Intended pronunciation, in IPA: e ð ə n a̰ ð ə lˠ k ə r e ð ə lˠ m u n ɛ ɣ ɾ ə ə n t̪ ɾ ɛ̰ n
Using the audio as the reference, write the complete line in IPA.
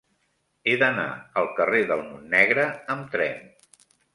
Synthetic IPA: e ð ə n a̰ ə lˠ k ə r e ð ə lˠ m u nː ɛ ɣ ɾ ə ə m t̪ ɾ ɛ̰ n